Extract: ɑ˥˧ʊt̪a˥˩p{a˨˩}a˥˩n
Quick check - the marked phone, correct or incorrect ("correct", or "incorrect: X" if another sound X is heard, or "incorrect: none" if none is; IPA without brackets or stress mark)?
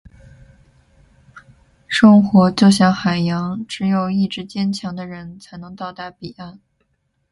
incorrect: i˨˩